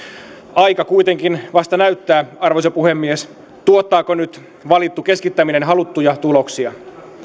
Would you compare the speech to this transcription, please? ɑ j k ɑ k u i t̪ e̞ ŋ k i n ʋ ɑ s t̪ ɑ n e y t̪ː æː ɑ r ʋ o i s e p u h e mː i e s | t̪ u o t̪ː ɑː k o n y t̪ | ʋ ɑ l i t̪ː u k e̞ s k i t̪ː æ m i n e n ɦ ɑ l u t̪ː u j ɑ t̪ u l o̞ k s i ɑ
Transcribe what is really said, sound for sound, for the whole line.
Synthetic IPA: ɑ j k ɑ k u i t̪ e̞ ŋ k i n ʋ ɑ s t̪ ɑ n æ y t̪ː æː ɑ r ʋ o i s e p u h e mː i e s | t̪ u o t̪ː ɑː k o n y t̪ | ʋ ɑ l i t̪ː u k e̞ s k i t̪ː æ m i n e n ɦ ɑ l u t̪ː u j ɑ t̪ u l o̞ k s i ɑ

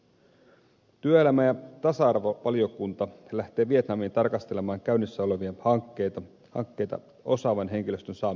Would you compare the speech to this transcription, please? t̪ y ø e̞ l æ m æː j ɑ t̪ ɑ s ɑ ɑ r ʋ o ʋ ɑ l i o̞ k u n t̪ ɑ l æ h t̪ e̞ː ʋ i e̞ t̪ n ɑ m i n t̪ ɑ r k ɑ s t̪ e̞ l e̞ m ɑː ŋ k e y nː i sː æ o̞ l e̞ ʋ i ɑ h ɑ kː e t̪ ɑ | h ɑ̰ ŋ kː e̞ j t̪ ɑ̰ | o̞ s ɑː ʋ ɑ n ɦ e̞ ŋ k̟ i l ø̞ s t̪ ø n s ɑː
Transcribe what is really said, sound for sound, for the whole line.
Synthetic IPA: t̪ y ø e̞ l æ m æ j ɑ t̪ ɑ s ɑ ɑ r ʋ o ʋ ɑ l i o̞ k u n t̪ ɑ l æ h t̪ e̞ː ʋ i e̞ t̪ n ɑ m i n t̪ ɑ r k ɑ s t̪ e̞ l e̞ m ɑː ŋ k æ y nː i sː æ o̞ l e̞ ʋ i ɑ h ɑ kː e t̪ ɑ | h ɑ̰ ŋ kː e̞ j t̪ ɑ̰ | o̞ s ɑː ʋ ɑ n ɦ e̞ ŋ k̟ i l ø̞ s t̪ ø n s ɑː

